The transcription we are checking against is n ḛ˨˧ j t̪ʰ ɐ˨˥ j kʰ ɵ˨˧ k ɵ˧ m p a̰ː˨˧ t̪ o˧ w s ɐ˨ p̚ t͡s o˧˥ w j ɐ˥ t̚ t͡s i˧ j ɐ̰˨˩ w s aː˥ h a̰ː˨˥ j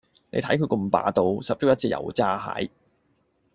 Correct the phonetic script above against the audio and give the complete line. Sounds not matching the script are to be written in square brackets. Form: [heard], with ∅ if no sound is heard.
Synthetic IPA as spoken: n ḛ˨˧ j t̪ʰ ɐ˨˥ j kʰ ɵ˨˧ k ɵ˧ m p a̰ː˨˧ t̪ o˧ w s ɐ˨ p̚ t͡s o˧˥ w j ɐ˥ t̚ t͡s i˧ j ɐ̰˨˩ w [t͡s] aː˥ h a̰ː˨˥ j